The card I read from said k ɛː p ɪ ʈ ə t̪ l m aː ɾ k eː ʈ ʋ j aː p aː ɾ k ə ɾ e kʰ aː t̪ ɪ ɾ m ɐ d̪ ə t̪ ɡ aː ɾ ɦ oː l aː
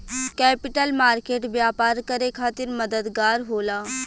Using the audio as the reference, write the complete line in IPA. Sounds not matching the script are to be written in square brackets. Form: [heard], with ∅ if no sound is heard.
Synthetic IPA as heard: k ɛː p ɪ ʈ ə [∅] l m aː ɾ k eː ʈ ʋ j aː p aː ɾ k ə ɾ e kʰ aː t̪ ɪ ɾ m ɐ d̪ ə [d̪] ɡ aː ɾ ɦ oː l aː